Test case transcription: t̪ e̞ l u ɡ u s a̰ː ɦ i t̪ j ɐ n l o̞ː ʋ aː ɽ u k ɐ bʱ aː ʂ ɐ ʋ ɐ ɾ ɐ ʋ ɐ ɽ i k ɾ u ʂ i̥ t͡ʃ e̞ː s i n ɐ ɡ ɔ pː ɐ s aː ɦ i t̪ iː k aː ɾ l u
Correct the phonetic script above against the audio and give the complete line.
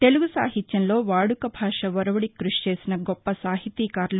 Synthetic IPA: t̪ e̞ l u ɡ u s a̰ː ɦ i t̪ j ɐ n l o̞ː ʋ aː ɽ u k ɐ bʱ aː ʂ ɐ ʋ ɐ ɾ ɐ ʋ ɐ ɽ i k ɾ u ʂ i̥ t͡ʃ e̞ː s i n ɐ ɡ ɔ pː ɐ s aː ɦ i t̪ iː k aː ɾ l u